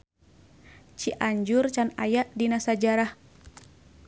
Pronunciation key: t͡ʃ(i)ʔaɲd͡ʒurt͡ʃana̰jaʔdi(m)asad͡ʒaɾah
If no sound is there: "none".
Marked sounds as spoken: i, n

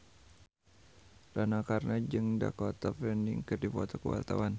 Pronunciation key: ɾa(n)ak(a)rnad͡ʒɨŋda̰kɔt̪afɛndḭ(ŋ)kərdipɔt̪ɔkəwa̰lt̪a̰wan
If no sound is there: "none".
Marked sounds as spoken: n, a, ŋ

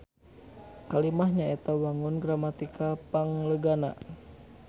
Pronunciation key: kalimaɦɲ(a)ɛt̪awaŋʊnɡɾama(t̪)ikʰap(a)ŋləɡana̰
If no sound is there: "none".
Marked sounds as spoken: a, t̪, a

